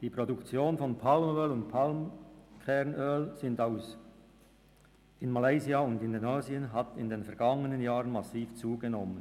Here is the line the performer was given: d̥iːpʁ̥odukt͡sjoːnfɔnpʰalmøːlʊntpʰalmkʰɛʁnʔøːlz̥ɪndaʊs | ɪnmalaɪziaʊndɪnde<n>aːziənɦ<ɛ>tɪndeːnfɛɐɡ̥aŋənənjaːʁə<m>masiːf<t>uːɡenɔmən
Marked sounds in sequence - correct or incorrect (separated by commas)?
correct, incorrect, incorrect, incorrect